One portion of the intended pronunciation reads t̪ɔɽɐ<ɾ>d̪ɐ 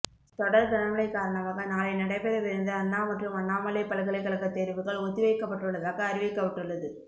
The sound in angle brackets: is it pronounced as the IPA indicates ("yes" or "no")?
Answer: yes